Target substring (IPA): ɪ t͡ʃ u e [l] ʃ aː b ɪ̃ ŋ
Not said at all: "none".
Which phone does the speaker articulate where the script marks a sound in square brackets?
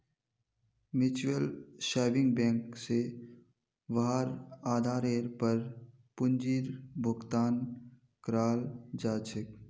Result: l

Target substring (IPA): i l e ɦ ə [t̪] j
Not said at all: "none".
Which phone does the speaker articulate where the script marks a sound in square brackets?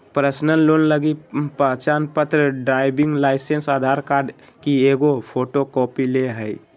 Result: none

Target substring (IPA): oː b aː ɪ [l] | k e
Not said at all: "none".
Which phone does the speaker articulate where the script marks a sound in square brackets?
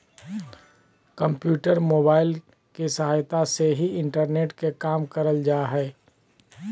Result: l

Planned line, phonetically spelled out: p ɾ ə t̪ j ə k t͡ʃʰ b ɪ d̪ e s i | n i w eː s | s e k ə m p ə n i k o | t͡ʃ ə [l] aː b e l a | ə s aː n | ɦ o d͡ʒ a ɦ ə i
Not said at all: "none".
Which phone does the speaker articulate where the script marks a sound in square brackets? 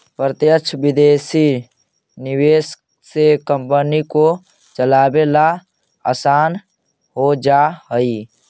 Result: l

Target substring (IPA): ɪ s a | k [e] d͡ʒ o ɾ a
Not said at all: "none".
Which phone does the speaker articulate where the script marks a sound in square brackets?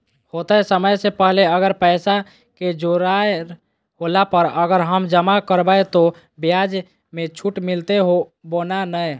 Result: e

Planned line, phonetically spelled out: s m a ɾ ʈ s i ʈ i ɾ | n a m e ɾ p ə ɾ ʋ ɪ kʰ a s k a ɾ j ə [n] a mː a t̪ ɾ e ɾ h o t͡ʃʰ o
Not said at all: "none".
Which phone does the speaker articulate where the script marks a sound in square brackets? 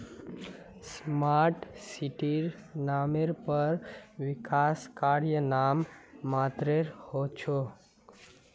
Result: n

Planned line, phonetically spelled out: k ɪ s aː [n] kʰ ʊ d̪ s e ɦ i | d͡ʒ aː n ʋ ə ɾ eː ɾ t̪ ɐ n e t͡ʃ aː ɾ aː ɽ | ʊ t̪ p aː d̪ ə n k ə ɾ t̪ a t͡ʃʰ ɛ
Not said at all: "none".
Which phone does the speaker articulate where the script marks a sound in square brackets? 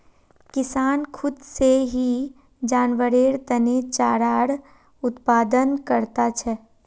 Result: n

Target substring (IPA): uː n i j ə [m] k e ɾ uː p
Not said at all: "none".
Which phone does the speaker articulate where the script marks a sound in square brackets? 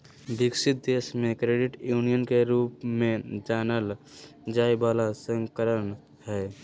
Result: n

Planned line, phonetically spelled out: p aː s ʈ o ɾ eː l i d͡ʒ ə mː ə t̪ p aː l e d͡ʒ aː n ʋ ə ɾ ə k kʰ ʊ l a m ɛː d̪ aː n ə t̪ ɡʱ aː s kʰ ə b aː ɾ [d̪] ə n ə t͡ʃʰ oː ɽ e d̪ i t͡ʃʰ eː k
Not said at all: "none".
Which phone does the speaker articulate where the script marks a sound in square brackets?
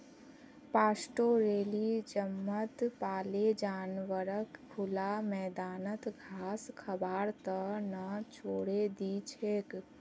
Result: t̪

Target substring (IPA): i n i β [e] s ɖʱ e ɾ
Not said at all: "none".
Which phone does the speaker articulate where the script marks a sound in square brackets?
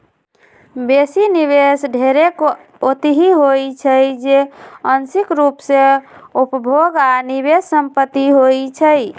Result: e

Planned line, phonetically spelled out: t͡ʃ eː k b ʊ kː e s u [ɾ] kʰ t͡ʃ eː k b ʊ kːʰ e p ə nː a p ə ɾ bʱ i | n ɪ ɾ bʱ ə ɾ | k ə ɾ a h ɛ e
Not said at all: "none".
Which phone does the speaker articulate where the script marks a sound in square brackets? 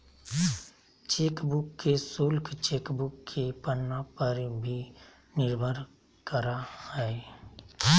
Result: l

